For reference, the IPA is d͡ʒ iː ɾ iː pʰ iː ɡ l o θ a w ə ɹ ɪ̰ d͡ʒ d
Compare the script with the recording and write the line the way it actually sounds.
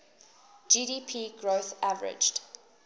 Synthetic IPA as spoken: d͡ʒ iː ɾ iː pʰ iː ɡ ɹ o θ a v ə ɹ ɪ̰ d͡ʒ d